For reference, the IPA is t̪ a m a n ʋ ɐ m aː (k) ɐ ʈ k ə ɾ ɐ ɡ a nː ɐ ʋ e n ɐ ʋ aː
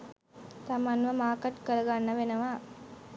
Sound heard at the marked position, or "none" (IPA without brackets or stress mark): k